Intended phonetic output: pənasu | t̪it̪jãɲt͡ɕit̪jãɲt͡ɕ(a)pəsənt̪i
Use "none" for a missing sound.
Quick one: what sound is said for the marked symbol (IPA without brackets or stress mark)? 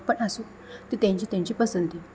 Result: i